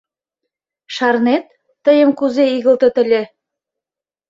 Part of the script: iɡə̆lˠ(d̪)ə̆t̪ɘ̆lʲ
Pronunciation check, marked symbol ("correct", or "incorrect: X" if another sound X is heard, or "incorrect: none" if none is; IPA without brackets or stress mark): incorrect: t̪